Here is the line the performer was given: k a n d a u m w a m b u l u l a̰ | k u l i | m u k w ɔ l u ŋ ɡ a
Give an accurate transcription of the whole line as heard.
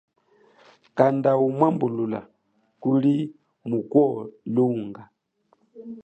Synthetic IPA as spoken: k a n d a u m w a m b u l u l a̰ | k u l i | m u k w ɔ l u ŋ ɡ a